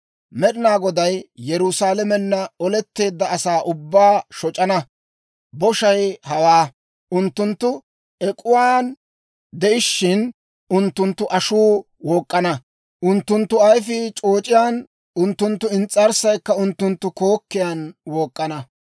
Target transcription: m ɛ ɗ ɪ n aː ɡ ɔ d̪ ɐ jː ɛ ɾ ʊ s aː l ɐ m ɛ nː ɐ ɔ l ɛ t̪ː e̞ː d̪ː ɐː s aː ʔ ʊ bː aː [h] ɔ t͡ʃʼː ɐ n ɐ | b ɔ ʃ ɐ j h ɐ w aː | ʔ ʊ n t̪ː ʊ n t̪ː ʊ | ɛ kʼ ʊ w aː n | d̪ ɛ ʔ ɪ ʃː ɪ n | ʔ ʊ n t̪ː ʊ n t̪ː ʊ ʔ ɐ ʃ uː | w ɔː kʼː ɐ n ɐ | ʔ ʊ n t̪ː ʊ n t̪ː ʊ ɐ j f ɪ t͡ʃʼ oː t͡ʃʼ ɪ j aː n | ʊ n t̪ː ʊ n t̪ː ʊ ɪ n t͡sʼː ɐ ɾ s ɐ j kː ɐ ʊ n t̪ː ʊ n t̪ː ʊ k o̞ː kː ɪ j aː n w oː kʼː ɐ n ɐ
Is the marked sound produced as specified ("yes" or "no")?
no